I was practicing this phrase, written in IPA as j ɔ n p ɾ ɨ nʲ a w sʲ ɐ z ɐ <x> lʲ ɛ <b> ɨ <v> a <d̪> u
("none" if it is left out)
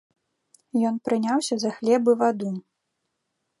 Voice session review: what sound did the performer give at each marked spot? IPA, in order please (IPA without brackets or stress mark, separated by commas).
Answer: x, b, v, d̪